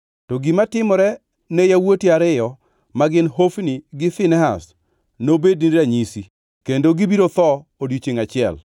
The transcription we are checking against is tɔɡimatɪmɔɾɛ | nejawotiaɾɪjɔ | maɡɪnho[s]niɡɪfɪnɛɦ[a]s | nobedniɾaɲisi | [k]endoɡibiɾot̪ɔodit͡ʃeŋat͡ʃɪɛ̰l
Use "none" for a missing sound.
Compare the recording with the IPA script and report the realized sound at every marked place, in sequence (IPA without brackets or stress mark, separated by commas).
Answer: f, a, k